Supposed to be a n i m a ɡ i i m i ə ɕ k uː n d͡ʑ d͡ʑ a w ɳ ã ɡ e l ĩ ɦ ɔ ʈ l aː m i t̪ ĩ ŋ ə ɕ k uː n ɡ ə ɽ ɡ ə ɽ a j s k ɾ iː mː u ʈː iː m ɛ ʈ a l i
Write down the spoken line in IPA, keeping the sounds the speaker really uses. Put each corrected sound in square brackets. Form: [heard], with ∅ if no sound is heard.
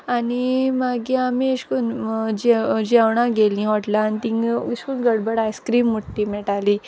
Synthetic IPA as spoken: a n i m a ɡ i [a] m i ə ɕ k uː n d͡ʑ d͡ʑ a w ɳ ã ɡ e l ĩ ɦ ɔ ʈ l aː [n] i t̪ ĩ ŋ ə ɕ k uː n ɡ ə ɽ [b] ə ɽ a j s k ɾ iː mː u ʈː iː m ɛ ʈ a l i

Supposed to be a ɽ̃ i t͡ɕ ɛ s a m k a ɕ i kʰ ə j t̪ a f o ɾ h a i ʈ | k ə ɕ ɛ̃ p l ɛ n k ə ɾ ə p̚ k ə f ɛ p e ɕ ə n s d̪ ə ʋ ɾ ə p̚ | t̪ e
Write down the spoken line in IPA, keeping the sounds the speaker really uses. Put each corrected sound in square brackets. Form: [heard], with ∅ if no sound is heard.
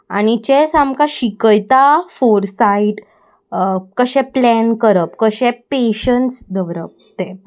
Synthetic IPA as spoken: a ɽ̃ i t͡ɕ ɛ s a m k a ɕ i [k] ə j t̪ a f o ɾ [s] a i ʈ | k ə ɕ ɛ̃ p l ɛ n k ə ɾ ə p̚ k ə [ɕ] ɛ p e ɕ ə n s d̪ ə ʋ ɾ ə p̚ | t̪ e

